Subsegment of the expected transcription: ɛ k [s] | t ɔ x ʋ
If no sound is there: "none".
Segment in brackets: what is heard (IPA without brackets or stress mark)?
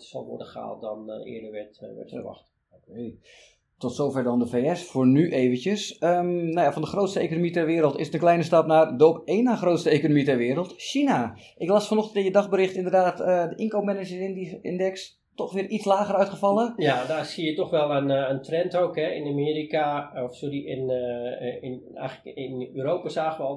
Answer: s